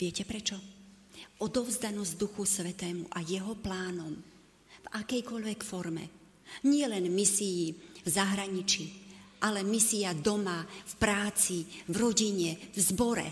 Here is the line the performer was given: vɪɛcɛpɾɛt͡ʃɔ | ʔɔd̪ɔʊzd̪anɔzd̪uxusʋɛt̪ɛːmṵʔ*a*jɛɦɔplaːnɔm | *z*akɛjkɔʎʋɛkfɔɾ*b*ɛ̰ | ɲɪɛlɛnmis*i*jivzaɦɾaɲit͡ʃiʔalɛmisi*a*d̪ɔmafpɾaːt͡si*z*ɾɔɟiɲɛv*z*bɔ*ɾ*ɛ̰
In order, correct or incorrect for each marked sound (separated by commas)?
correct, incorrect, incorrect, correct, correct, incorrect, correct, correct